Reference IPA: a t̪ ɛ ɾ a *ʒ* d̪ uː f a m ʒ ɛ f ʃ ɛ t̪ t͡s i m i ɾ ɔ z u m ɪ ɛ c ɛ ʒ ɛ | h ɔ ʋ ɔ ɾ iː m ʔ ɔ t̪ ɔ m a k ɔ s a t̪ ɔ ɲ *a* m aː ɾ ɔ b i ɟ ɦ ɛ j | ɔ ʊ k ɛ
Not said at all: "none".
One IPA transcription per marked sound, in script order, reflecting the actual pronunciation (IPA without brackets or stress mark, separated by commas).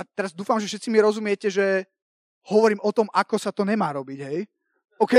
z, ɛ